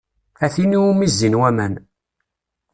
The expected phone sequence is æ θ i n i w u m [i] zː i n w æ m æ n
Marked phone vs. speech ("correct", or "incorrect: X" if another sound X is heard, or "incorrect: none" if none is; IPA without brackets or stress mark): correct